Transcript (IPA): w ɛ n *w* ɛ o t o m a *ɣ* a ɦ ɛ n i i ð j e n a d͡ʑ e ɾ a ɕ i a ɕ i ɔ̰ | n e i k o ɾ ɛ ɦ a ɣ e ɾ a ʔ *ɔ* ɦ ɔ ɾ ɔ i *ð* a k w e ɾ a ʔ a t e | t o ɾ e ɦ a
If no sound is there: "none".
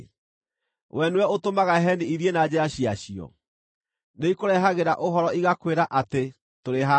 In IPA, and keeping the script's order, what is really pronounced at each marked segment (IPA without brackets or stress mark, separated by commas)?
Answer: w, ɣ, o, ɣ